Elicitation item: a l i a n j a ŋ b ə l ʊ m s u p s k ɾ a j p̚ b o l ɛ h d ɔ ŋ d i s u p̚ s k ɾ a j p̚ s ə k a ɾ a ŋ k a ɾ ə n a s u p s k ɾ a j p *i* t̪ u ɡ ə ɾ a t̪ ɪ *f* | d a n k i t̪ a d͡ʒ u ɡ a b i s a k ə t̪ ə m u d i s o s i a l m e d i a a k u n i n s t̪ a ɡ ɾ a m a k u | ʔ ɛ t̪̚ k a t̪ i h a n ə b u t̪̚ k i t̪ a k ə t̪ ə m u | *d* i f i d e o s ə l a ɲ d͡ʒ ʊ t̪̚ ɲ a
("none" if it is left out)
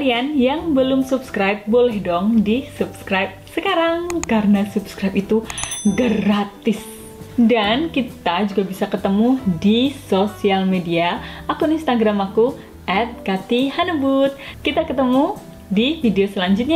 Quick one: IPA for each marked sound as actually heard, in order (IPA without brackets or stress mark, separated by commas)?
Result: i, s, d